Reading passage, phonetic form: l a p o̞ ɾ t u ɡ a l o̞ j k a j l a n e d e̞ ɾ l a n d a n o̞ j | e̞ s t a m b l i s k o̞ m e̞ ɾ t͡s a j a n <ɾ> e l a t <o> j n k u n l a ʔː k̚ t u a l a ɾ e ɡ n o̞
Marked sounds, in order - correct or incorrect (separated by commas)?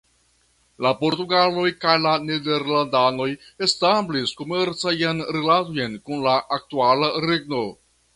correct, correct